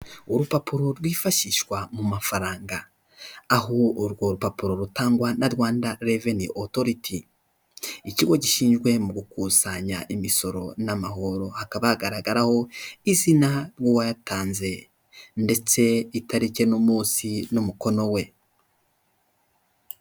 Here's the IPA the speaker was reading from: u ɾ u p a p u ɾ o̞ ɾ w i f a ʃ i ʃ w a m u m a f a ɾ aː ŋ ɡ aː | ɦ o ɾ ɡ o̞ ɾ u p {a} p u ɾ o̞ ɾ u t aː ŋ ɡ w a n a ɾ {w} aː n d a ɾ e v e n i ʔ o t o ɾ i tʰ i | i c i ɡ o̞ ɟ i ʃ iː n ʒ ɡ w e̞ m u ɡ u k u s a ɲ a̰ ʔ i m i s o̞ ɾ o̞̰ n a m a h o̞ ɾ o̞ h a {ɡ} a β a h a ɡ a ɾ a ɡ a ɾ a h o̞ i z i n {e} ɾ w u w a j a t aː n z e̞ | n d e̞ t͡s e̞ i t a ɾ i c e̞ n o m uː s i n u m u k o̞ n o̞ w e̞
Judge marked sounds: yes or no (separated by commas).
yes, yes, no, no